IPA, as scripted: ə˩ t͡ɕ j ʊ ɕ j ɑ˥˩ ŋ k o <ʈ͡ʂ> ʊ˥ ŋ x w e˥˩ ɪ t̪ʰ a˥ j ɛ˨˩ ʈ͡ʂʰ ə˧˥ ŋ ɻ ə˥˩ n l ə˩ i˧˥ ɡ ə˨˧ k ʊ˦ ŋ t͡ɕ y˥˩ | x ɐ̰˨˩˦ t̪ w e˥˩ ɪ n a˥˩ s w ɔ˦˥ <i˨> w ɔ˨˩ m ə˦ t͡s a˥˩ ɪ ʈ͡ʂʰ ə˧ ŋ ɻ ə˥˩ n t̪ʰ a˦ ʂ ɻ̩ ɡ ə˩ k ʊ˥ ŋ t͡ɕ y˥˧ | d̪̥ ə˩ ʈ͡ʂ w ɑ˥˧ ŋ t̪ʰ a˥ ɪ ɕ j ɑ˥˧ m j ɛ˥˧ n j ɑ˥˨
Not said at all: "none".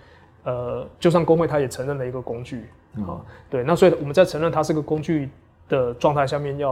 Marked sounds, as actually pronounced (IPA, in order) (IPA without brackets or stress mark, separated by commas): none, i˨